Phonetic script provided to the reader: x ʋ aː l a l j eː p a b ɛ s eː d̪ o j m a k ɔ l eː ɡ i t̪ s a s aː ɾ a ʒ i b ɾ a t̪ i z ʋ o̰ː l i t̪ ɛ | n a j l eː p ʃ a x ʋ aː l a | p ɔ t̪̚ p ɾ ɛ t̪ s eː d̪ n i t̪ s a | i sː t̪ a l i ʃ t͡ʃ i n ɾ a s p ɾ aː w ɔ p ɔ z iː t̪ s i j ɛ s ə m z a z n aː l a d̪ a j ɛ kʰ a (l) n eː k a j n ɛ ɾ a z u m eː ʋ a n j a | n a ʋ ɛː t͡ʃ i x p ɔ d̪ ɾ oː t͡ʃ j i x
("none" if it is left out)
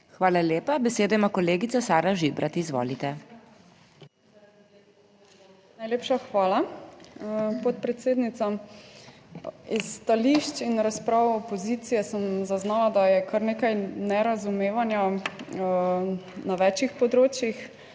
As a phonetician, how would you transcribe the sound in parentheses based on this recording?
ɾ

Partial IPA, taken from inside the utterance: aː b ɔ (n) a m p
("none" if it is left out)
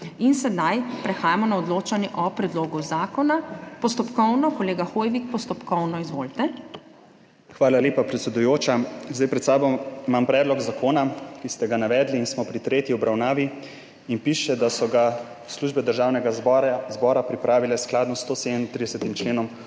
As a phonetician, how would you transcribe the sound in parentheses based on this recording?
m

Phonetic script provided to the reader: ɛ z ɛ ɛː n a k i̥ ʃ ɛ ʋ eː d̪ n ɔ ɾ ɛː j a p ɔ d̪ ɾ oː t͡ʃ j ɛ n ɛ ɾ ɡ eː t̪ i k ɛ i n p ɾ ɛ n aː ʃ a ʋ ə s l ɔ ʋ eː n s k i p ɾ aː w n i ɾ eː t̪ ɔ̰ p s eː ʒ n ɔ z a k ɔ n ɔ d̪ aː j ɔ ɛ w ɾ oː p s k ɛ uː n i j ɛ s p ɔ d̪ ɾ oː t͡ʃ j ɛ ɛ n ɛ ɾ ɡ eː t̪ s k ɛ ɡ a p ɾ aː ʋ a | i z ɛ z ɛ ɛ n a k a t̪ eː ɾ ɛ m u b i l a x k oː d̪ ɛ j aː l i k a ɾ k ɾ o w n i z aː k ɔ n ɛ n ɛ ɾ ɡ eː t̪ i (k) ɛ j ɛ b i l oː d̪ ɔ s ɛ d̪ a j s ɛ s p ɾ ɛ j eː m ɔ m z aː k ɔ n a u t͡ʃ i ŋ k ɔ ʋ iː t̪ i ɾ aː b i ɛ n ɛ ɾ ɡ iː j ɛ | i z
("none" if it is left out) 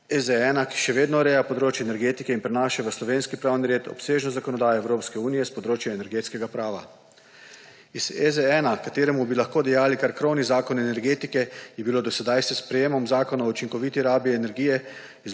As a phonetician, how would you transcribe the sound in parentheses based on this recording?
k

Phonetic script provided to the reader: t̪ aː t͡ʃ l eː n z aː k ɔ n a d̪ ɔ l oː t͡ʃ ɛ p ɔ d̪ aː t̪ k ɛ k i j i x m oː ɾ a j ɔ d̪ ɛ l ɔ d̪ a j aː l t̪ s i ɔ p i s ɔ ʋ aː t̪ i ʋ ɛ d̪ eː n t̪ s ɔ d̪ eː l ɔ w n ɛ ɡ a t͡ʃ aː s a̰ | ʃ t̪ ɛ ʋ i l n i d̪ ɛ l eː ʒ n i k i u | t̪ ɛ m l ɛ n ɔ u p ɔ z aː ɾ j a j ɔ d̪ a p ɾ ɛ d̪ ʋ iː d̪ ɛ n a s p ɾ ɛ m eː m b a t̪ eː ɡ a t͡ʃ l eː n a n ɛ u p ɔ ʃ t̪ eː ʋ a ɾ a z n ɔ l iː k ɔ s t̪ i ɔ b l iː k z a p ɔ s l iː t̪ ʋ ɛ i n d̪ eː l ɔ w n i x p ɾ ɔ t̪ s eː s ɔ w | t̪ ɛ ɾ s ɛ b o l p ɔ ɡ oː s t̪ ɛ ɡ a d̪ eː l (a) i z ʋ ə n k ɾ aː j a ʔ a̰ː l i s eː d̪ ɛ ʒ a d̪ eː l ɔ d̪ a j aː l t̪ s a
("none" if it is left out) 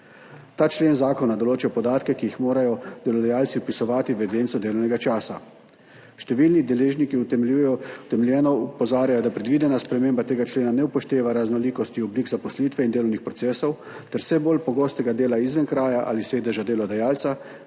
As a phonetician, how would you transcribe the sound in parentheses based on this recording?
a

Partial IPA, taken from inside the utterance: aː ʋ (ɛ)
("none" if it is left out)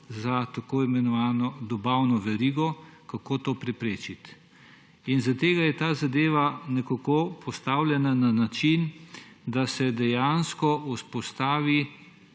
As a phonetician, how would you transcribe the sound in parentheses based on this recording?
i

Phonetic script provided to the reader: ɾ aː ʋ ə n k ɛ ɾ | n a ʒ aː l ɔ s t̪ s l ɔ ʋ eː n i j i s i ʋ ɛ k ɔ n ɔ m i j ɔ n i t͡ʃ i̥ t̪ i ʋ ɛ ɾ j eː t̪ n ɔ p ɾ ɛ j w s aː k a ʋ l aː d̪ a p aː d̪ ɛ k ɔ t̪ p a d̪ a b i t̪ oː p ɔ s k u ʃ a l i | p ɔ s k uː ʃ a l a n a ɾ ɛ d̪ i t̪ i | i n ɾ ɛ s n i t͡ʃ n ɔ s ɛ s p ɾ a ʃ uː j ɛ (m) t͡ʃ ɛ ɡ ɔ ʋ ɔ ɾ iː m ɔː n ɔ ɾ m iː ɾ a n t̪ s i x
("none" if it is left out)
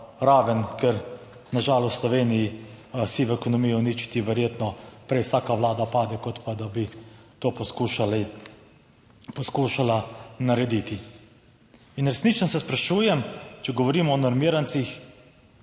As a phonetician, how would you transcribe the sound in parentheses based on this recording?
m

